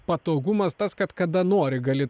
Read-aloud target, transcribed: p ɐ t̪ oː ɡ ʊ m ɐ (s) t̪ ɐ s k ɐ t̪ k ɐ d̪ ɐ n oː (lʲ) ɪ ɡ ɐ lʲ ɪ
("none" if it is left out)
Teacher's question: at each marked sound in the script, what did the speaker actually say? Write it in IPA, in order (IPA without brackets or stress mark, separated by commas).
s, ɾʲ